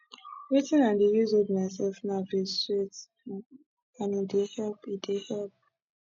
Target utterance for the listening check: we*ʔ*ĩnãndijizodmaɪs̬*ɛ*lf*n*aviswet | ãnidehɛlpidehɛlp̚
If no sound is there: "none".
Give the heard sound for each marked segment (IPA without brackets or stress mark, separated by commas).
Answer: t, ɛ, n